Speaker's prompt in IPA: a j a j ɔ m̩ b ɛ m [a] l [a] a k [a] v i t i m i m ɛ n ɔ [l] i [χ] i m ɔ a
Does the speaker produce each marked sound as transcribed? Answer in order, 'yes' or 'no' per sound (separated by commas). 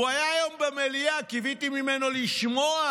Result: no, no, no, yes, no